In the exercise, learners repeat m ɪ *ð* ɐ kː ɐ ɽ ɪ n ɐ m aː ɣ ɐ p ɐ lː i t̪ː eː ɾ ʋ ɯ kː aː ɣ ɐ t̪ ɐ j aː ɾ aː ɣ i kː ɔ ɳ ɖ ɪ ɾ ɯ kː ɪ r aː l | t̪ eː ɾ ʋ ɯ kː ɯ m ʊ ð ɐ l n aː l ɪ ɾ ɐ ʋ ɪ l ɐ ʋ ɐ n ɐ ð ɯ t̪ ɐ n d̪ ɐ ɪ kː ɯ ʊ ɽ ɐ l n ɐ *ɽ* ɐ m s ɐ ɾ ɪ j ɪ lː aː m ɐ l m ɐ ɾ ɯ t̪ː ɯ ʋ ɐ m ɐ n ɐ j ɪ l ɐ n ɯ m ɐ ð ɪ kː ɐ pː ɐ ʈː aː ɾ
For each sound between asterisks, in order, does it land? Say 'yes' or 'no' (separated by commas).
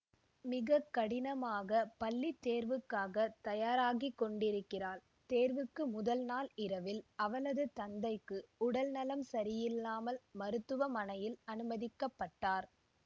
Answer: no, no